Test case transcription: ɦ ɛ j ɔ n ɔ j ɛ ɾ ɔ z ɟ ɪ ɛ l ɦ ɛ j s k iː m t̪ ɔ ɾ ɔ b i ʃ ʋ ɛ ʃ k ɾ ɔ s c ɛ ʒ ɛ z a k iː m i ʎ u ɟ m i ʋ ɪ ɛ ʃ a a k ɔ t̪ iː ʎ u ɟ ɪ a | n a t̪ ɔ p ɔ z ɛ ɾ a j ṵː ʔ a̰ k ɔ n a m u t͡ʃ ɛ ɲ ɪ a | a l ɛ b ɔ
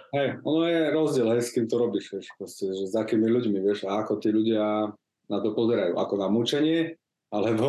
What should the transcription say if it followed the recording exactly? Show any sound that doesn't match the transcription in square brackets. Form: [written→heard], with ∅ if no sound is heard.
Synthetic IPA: ɦ ɛ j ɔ n ɔ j ɛ ɾ ɔ z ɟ ɪ ɛ l ɦ ɛ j s k iː m t̪ ɔ ɾ ɔ b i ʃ ʋ ɛ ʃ [k→p] ɾ ɔ s c ɛ ʒ ɛ z a k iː m i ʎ u ɟ m i ʋ ɪ ɛ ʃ a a k ɔ t̪ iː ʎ u ɟ ɪ a | n a t̪ ɔ p ɔ z ɛ ɾ a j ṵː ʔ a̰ k ɔ n a m u t͡ʃ ɛ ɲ ɪ [a→ɛ] | a l ɛ b ɔ